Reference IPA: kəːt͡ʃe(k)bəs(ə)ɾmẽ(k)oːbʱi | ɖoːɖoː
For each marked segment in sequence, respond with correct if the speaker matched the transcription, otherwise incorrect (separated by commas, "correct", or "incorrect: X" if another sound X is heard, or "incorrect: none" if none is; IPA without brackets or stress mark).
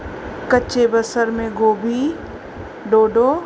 incorrect: none, correct, incorrect: ɡ